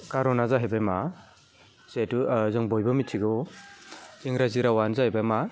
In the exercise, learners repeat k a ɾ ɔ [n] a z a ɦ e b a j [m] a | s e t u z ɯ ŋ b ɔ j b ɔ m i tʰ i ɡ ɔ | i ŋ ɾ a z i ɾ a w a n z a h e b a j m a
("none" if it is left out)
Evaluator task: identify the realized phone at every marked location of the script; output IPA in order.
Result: n, m

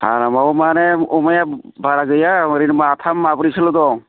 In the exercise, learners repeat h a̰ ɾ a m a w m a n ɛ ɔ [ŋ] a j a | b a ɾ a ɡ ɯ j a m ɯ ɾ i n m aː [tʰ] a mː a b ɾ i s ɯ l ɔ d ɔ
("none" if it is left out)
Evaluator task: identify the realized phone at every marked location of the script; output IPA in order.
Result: m, tʰ

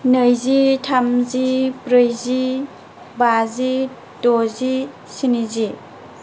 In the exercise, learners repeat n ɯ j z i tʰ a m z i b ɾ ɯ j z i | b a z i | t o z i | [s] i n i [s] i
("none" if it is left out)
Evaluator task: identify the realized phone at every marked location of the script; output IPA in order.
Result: s, z

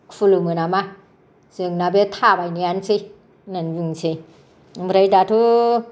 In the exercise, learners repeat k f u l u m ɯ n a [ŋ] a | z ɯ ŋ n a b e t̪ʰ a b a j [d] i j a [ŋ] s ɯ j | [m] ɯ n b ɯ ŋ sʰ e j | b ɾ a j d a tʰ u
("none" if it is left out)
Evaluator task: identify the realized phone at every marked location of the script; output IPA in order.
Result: m, n, n, n

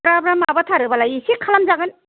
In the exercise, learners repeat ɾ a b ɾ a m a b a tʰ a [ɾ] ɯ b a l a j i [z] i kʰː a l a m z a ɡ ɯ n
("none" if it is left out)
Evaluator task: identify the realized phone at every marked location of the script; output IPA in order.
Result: ɾ, s

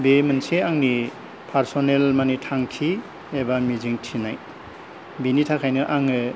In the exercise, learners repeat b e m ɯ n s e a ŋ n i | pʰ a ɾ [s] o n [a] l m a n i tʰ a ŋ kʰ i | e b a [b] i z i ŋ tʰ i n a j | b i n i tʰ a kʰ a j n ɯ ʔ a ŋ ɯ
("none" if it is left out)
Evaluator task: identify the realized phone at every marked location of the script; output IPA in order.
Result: s, e, m

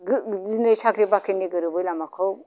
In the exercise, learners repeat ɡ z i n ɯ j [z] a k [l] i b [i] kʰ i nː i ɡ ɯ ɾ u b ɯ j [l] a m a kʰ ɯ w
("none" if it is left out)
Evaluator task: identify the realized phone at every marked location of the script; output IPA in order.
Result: s, ɾ, a, l

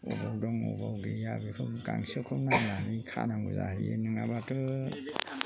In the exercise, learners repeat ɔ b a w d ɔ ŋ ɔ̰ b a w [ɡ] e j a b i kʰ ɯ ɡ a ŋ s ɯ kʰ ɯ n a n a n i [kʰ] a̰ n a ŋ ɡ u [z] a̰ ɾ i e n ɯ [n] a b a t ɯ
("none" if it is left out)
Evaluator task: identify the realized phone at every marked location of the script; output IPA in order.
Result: ɡ, kʰ, z, ŋ

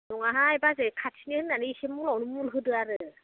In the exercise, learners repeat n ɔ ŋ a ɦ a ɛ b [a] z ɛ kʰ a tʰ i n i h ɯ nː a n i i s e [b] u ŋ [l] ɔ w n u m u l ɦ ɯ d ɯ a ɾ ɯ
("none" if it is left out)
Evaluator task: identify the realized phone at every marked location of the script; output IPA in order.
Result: a, m, l

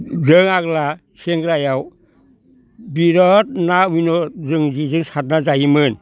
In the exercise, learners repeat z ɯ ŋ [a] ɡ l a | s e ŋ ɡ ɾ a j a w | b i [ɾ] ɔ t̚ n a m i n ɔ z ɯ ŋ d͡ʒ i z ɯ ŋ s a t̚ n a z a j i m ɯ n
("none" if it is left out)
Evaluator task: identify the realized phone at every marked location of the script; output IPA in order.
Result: a, ɾ

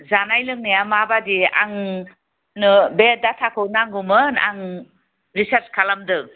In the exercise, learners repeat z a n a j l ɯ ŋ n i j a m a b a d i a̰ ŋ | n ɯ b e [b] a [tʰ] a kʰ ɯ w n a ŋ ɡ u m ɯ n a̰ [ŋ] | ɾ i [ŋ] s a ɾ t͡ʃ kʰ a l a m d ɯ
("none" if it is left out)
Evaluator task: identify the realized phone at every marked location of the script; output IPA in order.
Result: d, tʰ, ŋ, none

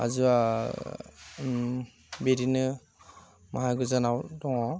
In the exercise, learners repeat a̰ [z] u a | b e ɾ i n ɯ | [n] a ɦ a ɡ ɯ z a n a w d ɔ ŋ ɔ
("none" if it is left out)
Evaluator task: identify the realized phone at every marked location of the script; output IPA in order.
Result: z, m

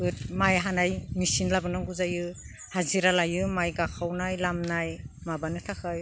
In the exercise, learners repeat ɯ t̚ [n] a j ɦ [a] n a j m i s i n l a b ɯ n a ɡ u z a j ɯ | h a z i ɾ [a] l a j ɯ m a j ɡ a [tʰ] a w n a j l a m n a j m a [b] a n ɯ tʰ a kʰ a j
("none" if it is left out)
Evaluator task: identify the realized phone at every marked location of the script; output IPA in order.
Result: m, a, a, kʰ, b

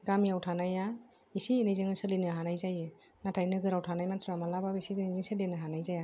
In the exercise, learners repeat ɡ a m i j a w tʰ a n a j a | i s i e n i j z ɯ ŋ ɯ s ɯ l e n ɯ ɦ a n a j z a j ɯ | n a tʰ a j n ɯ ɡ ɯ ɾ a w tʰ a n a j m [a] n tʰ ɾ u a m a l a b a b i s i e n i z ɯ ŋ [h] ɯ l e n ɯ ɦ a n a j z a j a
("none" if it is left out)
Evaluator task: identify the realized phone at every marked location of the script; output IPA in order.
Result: a, s

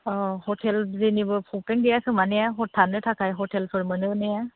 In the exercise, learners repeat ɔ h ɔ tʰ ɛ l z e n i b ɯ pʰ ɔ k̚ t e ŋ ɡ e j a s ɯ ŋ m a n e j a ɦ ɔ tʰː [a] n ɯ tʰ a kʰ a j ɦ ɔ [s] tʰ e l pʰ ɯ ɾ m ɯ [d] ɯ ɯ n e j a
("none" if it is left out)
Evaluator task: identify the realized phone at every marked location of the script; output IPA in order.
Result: a, none, n

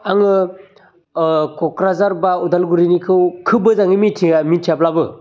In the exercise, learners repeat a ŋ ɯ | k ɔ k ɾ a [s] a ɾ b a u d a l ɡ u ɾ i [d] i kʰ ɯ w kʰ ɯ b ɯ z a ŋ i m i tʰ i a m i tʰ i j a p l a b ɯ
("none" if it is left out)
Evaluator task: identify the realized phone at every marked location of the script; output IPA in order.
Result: z, n

